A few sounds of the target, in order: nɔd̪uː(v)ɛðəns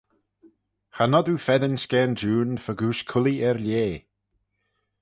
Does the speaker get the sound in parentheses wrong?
yes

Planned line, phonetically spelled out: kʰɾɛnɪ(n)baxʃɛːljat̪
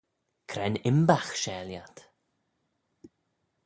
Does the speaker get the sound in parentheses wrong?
yes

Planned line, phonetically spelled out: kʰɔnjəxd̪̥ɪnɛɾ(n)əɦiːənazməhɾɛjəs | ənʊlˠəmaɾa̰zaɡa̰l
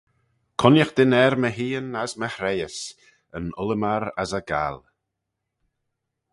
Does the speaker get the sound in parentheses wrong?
yes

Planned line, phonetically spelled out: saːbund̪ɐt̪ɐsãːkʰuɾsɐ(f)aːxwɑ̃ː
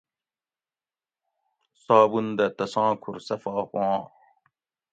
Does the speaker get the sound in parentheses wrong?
no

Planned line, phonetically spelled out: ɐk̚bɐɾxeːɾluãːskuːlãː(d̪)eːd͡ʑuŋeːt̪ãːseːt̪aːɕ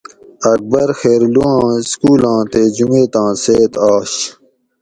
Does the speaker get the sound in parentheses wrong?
yes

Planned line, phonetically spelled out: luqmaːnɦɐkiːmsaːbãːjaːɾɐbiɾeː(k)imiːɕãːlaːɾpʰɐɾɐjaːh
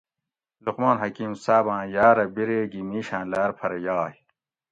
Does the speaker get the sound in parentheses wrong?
yes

